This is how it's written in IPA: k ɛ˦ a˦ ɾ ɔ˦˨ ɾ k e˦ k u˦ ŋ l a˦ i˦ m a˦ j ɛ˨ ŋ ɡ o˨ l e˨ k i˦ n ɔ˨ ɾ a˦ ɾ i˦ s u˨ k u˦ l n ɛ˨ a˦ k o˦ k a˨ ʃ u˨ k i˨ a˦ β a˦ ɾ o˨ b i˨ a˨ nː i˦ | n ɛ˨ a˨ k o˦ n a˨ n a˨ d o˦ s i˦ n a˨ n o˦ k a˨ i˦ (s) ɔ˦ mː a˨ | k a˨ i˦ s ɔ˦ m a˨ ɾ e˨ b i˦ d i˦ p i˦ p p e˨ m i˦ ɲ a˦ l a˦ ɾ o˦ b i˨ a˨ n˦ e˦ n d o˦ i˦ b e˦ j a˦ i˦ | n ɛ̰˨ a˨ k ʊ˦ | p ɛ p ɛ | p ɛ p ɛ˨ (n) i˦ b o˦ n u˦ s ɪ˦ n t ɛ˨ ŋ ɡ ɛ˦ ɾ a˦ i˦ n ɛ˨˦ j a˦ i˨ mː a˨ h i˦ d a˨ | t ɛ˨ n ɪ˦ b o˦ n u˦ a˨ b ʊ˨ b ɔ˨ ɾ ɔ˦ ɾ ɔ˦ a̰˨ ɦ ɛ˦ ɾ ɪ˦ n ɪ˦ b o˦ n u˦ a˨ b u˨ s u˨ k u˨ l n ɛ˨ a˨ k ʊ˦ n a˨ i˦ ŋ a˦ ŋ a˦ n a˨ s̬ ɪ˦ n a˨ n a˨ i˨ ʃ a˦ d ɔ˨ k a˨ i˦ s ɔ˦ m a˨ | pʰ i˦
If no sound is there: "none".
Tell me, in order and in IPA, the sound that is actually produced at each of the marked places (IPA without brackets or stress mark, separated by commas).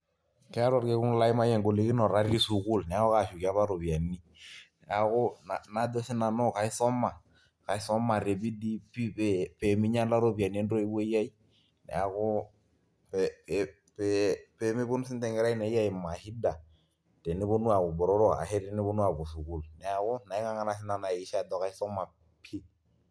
s, m